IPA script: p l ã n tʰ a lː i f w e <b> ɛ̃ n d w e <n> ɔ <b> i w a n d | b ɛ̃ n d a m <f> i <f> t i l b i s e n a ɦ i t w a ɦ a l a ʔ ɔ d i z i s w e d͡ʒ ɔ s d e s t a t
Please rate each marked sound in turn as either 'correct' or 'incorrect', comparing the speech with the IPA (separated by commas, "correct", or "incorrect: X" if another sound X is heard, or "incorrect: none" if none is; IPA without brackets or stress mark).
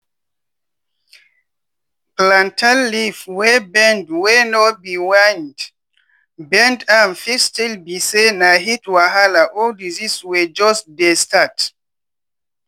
correct, correct, correct, correct, incorrect: s